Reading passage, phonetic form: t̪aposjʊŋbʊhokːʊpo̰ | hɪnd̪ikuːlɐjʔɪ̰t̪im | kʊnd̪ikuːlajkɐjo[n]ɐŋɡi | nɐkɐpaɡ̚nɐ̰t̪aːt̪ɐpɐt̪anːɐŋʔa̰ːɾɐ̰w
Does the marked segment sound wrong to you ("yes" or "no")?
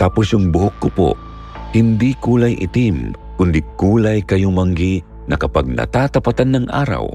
yes